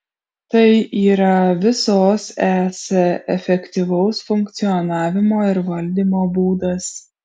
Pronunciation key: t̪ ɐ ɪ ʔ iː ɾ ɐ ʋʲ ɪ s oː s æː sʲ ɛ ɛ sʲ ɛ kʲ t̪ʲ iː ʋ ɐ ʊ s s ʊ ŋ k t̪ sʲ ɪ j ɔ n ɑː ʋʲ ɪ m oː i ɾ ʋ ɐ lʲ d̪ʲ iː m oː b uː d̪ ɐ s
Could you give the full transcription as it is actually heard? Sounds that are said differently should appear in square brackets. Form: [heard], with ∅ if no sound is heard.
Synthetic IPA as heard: t̪ ɐ ɪ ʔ iː ɾ ɐ ʋʲ ɪ s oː s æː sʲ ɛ ɛ [fʲ] ɛ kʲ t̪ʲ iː ʋ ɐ ʊ s [f] ʊ ŋ k t̪ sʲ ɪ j ɔ n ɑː ʋʲ ɪ m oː [ɪ] ɾ ʋ ɐ lʲ d̪ʲ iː m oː b uː d̪ ɐ s